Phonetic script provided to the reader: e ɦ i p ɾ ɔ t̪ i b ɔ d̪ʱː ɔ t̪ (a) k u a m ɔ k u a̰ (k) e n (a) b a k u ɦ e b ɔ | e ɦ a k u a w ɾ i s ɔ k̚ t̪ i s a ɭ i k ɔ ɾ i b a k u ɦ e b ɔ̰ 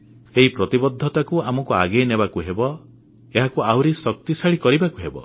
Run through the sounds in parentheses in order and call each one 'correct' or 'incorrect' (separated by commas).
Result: correct, incorrect, incorrect